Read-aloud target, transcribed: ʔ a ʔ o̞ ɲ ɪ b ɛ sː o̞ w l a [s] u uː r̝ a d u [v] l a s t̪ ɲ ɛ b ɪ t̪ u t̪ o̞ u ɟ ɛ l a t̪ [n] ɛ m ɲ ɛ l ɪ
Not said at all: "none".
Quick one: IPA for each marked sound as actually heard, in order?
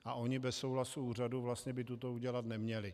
s, v, n

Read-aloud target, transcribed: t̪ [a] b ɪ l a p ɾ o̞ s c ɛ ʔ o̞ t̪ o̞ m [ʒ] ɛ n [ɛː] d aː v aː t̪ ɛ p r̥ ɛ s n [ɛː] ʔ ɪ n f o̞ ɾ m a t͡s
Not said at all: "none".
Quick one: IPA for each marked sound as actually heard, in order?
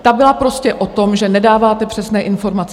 a, ʒ, ɛ, ɛː

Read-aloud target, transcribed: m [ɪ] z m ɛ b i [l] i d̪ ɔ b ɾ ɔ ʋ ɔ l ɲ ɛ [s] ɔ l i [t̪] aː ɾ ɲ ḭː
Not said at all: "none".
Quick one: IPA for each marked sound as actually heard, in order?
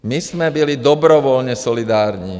i, l, s, d̪

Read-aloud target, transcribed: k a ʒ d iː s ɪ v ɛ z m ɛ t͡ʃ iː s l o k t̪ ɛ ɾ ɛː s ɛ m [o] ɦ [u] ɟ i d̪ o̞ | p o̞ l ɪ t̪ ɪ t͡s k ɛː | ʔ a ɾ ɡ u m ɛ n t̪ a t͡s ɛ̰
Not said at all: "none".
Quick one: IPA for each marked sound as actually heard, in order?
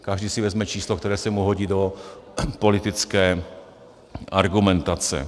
u, o

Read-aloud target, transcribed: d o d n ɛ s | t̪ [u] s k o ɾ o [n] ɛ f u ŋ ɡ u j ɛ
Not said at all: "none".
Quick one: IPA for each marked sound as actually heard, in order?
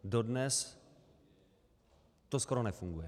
o, n

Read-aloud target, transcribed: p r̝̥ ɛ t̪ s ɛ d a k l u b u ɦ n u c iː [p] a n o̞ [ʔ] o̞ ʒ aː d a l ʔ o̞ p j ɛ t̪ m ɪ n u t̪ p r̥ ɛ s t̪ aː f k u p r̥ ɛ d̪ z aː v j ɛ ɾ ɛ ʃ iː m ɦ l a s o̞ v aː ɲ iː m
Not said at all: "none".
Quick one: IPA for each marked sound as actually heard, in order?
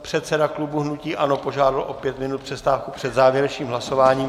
ʔ, p

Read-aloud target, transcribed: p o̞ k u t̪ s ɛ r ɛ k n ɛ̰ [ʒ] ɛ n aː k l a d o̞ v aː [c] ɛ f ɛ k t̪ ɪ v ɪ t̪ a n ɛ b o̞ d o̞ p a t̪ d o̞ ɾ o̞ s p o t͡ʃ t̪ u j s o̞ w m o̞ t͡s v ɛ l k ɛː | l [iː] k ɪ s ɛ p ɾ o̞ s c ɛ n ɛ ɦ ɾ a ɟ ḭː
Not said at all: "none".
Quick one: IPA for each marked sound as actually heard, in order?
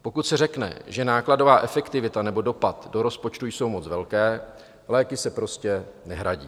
ʒ, ʔ, ɛː

